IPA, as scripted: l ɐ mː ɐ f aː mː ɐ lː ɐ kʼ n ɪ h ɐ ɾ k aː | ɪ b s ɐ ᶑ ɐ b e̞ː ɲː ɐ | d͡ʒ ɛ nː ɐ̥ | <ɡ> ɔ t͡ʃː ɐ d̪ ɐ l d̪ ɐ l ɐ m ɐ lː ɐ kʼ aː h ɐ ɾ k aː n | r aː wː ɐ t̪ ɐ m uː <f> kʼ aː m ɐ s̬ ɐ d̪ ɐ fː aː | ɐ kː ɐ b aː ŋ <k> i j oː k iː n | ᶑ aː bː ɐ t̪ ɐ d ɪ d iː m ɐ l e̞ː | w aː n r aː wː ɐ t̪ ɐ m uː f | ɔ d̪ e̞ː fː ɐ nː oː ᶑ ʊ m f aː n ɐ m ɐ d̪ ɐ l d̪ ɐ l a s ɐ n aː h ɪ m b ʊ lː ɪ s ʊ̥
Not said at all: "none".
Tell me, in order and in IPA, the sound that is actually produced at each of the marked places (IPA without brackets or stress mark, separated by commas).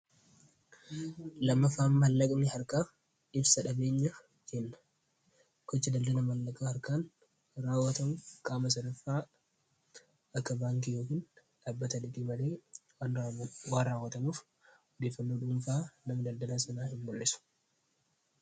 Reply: k, f, k